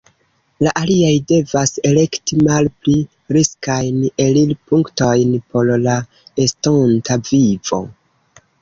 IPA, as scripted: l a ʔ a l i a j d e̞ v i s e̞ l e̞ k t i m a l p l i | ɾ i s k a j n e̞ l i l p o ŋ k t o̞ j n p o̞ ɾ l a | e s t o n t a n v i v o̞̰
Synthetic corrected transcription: l a ʔ a l i a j d e̞ v a s e̞ l e̞ k t i m a l p l i | ɾ i s k a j n e̞ l i l p u ŋ k t o̞ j n p o̞ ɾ l a | e s t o n t a v i v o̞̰